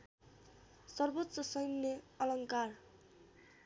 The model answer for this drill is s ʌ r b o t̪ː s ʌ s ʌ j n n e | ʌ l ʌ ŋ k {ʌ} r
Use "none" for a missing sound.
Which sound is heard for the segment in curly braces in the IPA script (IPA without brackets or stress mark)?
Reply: a